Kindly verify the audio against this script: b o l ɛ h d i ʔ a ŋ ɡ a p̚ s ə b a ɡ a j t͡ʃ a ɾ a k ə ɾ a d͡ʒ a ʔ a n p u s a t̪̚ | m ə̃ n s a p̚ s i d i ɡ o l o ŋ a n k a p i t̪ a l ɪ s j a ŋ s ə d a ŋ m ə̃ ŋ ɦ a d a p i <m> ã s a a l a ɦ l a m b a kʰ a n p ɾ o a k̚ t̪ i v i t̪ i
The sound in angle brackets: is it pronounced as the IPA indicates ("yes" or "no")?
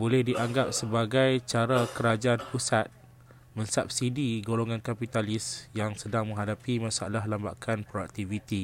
yes